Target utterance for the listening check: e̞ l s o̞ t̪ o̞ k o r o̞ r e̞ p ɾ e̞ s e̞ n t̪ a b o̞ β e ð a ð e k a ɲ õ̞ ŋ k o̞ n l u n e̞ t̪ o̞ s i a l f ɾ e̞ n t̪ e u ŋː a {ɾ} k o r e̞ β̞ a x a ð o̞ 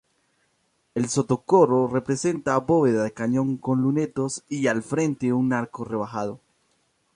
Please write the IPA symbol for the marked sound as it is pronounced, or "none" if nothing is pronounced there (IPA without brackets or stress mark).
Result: ɾ